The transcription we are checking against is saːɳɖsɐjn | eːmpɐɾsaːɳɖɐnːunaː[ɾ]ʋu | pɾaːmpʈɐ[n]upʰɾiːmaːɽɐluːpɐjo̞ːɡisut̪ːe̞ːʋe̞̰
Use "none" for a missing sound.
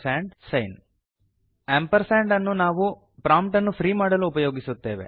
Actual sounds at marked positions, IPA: none, nː

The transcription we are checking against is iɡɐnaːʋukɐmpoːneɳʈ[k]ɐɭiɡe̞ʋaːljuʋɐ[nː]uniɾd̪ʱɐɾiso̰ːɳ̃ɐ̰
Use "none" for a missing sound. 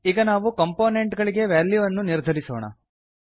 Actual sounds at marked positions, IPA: ɡ, nː

